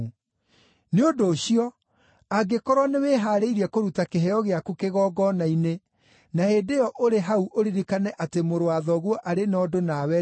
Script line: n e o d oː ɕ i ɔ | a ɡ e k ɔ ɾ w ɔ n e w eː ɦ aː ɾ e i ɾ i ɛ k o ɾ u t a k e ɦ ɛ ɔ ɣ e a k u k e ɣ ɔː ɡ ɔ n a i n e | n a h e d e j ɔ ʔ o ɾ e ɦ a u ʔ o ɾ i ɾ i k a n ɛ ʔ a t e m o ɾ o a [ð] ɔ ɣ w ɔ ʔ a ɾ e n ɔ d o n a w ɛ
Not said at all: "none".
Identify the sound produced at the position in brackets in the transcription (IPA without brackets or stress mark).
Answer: ð